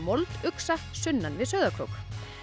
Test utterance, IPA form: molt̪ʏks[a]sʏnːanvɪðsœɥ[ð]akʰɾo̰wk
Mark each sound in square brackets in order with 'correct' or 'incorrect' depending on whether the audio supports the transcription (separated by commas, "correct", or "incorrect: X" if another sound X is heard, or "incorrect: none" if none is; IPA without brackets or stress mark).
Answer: correct, correct